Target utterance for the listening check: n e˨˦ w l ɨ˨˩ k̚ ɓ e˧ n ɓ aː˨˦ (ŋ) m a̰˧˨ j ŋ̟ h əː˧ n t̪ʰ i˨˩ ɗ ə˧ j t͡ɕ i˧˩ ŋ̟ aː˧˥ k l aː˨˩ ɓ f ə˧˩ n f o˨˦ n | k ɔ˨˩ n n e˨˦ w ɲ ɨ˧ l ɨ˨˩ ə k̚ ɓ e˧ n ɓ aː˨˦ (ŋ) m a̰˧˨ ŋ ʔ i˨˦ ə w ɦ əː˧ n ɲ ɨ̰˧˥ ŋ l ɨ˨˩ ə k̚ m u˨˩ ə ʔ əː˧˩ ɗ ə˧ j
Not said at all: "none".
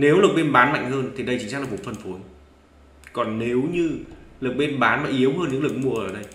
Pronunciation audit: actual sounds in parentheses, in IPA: n, n

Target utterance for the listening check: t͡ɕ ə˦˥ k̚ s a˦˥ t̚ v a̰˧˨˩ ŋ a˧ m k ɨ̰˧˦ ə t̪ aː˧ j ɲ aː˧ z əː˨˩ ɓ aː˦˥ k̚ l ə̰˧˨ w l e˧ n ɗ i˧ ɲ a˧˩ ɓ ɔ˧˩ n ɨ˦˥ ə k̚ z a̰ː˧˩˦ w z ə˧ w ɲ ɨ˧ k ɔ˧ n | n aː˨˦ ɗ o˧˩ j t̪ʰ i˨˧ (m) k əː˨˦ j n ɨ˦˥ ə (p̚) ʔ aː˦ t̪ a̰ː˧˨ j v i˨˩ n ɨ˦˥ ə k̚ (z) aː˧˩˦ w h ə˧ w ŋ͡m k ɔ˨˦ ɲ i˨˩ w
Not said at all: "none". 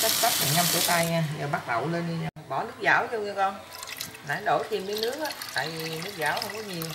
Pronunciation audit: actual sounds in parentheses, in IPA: m, k̚, z

